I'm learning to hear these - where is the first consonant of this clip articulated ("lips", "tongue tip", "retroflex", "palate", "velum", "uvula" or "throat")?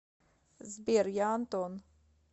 tongue tip